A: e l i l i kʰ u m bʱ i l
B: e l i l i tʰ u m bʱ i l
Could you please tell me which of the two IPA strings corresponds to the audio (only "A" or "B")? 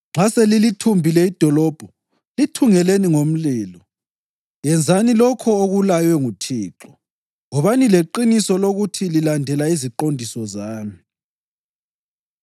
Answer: B